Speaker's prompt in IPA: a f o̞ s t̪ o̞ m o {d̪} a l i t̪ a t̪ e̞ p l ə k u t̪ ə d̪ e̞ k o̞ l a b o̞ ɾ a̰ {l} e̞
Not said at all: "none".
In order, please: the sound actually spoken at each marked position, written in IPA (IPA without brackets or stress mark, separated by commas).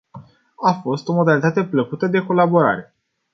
d̪, ɾ